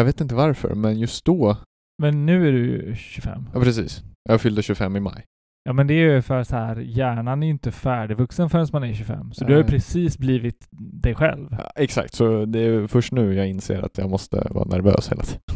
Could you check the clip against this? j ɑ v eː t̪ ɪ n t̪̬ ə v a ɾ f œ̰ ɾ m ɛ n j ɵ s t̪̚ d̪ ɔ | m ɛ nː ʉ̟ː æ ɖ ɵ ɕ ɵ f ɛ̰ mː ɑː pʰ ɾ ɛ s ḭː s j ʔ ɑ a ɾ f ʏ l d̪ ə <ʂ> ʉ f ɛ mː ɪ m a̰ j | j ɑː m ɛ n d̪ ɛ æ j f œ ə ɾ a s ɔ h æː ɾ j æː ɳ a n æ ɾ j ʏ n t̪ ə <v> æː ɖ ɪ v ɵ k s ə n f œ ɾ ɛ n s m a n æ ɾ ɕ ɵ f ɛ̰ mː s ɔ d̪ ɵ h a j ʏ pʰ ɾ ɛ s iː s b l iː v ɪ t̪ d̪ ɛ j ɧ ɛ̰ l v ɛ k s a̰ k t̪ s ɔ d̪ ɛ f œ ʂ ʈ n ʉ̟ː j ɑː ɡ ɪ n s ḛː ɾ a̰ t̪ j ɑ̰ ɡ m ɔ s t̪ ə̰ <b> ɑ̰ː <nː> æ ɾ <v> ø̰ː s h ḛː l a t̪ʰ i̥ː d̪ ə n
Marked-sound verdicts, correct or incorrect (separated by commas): incorrect, incorrect, incorrect, incorrect, correct